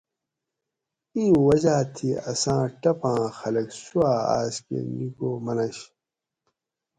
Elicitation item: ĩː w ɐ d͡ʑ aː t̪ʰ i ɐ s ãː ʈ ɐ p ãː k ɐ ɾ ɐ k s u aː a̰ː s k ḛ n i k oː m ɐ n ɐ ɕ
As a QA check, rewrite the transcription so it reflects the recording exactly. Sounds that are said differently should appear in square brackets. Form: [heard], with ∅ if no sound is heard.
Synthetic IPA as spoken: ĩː w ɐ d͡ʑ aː t̪ʰ i ɐ s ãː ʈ ɐ p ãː [x] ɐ [l] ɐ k s u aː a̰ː s k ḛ n i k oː m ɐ n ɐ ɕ